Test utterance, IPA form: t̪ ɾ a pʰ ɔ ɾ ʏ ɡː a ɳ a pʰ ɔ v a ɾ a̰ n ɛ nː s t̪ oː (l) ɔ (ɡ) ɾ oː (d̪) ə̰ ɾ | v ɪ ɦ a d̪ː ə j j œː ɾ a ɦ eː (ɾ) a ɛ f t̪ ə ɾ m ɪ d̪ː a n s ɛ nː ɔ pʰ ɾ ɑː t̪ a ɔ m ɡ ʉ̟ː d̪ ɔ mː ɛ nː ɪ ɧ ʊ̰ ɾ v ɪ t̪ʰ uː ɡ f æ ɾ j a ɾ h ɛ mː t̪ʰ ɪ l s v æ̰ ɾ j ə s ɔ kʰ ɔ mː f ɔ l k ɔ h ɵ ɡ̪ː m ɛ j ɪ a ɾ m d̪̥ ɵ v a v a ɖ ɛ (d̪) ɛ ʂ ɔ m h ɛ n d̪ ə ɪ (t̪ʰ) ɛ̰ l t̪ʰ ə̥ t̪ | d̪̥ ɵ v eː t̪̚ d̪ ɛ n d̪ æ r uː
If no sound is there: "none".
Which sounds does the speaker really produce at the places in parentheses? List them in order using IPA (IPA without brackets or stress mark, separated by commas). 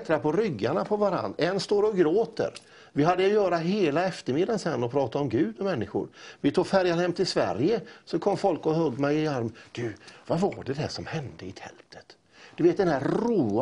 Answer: ɾ, ɡ, t̪, l, d̪, t̪ʰ